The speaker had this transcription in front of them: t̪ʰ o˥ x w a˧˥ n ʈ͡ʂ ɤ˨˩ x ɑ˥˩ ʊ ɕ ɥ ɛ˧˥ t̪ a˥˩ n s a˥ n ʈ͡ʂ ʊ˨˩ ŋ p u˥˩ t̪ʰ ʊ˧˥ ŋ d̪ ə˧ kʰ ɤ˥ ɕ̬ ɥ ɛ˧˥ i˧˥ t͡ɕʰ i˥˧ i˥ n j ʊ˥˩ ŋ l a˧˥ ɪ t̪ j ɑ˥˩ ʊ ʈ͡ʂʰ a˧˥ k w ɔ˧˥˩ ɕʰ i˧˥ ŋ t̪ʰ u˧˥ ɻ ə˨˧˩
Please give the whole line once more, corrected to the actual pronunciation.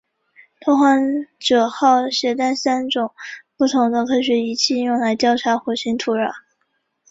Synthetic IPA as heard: t̪ʰ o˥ x w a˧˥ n ʈ͡ʂ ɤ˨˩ x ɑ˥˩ ʊ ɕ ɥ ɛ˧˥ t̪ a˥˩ n s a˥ n ʈ͡ʂ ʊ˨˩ ŋ p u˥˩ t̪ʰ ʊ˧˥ ŋ d̪ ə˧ kʰ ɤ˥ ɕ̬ ɥ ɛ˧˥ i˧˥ t͡ɕʰ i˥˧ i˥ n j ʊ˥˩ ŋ l a˧˥ ɪ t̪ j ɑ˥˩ ʊ ʈ͡ʂʰ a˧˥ x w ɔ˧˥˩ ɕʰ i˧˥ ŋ t̪ʰ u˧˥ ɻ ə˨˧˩

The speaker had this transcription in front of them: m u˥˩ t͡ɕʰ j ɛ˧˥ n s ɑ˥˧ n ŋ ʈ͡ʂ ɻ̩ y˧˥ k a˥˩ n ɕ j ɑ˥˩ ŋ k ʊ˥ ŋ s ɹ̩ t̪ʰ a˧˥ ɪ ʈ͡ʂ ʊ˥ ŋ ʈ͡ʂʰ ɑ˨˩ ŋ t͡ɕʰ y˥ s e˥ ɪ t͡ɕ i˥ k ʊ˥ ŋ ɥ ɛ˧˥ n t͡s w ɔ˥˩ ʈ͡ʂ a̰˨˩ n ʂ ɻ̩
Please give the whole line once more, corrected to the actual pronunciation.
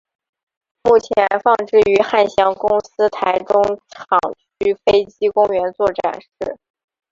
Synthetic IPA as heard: m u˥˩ t͡ɕʰ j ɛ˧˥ n f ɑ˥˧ ŋ ʈ͡ʂ ɻ̩ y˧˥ x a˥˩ n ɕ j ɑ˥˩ ŋ k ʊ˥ ŋ s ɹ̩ t̪ʰ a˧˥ ɪ ʈ͡ʂ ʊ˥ ŋ ʈ͡ʂʰ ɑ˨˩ ŋ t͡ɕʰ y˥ f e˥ ɪ t͡ɕ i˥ k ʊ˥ ŋ ɥ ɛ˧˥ n t͡s w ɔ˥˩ ʈ͡ʂ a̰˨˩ n ʂ ɻ̩

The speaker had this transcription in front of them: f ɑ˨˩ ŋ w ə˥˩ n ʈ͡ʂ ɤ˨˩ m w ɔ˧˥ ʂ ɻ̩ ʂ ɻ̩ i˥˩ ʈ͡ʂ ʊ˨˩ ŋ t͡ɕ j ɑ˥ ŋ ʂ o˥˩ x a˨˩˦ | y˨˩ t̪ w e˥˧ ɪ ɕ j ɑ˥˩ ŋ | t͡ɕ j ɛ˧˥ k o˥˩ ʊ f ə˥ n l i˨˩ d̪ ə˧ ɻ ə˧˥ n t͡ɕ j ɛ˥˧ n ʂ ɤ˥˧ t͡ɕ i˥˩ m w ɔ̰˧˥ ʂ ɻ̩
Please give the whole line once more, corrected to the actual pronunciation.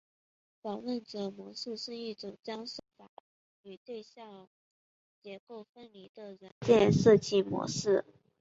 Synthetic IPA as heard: f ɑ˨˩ ŋ w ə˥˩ n ʈ͡ʂ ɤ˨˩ m w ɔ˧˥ ʂ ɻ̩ ʂ ɻ̩ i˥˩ ʈ͡ʂ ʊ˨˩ ŋ t͡ɕ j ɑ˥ ŋ ʂ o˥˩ f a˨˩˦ | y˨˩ t̪ w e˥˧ ɪ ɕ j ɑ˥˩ ŋ | t͡ɕ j ɛ˧˥ k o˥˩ ʊ f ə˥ n l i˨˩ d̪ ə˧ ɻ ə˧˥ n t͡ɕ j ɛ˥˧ n ʂ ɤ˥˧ t͡ɕ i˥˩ m w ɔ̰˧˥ ʂ ɻ̩

